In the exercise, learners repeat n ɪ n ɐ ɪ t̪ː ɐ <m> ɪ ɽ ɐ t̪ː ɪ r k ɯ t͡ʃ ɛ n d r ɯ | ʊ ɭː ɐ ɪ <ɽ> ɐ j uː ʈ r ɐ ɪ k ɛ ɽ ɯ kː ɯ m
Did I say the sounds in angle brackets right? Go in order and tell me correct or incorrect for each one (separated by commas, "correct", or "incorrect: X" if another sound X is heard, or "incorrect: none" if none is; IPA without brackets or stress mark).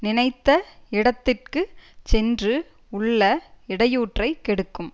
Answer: incorrect: none, correct